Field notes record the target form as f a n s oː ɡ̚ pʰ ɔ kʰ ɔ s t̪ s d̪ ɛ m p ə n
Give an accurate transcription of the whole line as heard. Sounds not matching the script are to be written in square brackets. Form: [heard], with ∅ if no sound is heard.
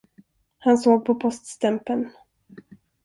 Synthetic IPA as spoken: [h] a n s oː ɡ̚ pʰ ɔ [pʰ] ɔ s t̪ s [t̪] ɛ m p ə n